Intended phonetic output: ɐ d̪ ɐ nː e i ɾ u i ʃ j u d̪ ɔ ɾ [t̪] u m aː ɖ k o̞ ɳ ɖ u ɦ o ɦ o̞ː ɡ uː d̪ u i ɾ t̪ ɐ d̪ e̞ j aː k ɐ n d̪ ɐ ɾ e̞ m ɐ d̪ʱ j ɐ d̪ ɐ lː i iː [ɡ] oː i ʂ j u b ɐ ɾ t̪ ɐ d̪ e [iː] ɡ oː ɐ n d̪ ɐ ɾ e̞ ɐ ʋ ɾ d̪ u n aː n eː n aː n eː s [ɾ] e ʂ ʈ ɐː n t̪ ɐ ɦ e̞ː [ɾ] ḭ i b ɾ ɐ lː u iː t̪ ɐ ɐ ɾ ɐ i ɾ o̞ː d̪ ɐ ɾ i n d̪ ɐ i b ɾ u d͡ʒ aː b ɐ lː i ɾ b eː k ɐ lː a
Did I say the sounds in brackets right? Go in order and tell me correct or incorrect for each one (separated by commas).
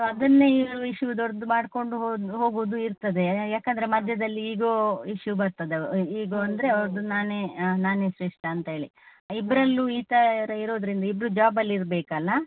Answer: incorrect, correct, correct, correct, incorrect